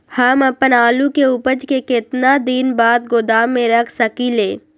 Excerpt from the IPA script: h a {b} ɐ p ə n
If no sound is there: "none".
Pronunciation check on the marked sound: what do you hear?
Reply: m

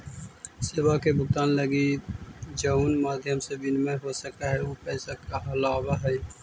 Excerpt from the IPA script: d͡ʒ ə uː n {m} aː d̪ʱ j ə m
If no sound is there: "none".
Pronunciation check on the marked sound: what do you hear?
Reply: m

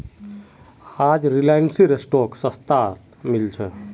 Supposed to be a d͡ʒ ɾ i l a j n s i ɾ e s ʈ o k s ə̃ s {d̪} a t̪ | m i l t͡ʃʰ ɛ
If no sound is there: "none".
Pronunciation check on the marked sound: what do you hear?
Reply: t̪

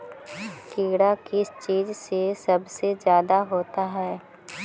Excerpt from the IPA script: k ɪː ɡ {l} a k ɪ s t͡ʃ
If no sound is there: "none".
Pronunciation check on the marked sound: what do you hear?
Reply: ɽ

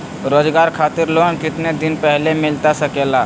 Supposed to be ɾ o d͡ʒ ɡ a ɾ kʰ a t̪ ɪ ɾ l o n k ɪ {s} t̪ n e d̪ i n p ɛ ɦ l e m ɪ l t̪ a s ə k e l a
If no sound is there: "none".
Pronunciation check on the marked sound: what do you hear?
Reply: none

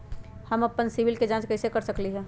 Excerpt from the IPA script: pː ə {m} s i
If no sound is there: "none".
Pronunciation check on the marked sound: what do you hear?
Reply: n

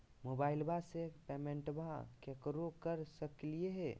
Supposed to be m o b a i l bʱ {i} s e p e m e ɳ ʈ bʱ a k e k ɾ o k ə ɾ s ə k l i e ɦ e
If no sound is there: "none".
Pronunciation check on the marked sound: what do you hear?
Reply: a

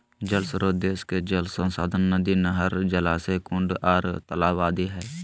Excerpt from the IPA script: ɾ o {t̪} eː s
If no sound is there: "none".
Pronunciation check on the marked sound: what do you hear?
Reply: d̪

